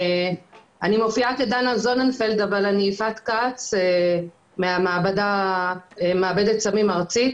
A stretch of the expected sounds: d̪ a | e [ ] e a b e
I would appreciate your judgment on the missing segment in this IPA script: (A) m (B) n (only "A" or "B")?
A